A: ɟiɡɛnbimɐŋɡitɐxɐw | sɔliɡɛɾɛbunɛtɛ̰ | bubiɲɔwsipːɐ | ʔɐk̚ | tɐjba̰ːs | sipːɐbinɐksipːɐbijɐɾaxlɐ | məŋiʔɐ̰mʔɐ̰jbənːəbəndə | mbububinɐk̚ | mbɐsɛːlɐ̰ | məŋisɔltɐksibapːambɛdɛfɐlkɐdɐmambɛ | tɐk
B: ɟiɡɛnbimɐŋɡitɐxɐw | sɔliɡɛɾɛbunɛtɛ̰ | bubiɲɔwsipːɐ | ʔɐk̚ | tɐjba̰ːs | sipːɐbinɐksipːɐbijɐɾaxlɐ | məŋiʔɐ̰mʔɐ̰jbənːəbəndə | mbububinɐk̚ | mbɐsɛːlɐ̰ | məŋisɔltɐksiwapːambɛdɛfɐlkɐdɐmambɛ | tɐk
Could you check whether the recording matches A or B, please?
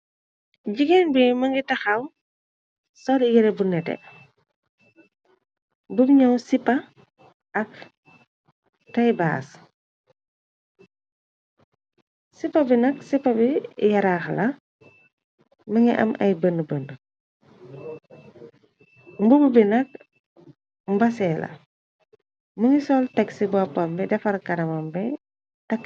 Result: A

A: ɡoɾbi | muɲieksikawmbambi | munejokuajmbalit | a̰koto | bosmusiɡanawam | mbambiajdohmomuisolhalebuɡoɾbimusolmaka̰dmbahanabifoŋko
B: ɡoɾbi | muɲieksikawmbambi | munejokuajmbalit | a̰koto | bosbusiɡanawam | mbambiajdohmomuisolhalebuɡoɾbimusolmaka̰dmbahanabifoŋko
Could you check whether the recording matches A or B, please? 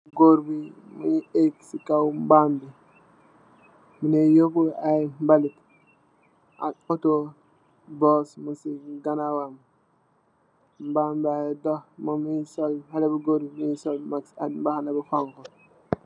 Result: A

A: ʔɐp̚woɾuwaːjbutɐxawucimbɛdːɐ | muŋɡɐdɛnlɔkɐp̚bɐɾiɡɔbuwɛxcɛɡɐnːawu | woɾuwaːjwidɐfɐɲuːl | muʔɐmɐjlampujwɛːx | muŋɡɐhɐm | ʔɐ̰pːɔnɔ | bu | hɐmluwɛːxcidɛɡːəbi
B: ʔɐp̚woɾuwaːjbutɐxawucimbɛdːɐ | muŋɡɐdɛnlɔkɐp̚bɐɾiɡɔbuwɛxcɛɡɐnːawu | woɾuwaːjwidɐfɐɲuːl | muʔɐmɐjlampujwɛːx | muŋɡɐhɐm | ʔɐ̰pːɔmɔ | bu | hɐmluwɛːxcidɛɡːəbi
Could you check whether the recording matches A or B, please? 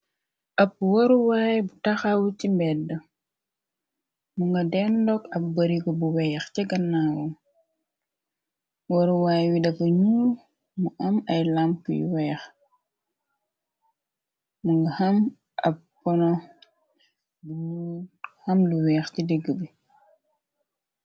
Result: A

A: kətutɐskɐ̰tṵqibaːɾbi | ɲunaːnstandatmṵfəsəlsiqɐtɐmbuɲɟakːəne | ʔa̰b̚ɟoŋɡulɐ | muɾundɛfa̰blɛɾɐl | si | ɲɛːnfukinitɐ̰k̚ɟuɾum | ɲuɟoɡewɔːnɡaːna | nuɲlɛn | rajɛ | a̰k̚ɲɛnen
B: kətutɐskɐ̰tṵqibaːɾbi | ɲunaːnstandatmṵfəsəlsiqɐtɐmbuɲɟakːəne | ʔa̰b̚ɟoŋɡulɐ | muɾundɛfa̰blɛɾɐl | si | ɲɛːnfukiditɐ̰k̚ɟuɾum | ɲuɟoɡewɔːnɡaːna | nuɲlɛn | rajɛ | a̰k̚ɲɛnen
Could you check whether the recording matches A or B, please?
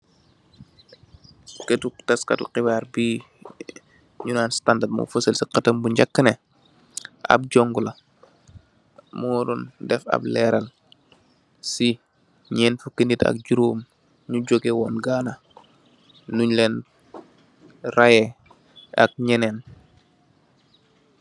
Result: A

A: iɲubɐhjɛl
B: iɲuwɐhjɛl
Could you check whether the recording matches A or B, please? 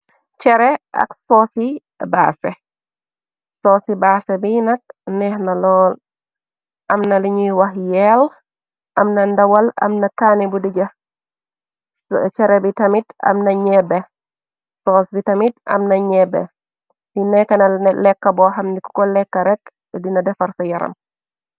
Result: B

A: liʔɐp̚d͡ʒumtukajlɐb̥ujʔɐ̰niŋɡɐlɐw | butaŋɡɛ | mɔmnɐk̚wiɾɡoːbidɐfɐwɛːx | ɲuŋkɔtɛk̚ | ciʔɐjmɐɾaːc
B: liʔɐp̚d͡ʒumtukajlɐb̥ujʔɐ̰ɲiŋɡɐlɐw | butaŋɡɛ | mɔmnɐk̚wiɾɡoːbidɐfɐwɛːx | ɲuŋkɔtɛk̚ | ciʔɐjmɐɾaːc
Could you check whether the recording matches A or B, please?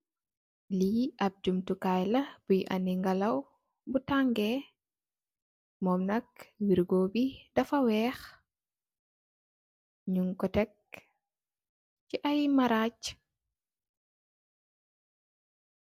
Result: A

